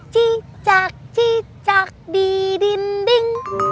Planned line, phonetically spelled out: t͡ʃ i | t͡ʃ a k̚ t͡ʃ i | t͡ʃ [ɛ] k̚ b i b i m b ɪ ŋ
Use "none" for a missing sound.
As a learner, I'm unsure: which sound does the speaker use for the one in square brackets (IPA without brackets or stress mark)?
a